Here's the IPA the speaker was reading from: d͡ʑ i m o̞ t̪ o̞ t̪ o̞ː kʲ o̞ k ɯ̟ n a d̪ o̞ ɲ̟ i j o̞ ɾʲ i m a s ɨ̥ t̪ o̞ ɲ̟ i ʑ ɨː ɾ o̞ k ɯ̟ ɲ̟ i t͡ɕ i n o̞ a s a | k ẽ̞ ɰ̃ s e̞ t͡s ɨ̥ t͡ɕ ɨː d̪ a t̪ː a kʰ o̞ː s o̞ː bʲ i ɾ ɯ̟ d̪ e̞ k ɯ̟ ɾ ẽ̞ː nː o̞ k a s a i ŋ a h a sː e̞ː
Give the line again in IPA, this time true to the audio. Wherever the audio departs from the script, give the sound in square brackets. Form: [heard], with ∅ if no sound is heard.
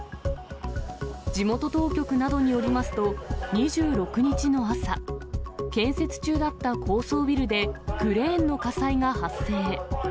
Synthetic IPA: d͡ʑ i m o̞ t̪ o̞ t̪ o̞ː kʲ o̞ k ɯ̟ n a d̪ o̞ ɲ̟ i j o̞ ɾʲ i m a s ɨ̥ t̪ o̞ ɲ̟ i ʑ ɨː ɾ o̞ k ɯ̟ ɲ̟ i t͡ɕ i n o̞ a s a | k ẽ̞ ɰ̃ s e̞ t͡s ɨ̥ t͡ɕ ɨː d̪ a t̪ː a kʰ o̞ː s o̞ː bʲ i ɾ ɯ̟ d̪ e̞ k ɯ̟ ɾ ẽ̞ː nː o̞ k a s a i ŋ a h a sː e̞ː